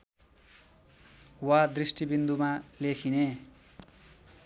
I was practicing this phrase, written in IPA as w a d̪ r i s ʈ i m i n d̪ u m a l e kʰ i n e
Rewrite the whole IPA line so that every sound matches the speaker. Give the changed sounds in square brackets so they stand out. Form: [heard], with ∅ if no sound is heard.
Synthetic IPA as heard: w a d̪ r i s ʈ i [b] i n d̪ u m a l e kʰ i n e